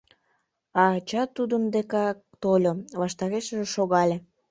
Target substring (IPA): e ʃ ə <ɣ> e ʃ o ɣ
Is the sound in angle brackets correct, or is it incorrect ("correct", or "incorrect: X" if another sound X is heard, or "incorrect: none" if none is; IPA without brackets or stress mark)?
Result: incorrect: ʒ